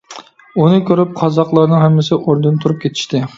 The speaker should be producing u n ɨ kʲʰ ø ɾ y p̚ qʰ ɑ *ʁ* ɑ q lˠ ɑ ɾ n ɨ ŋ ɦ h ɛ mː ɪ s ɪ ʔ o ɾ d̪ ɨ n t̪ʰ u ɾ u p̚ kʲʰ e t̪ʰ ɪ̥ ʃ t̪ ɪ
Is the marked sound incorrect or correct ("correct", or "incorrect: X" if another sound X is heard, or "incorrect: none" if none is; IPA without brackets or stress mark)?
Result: incorrect: z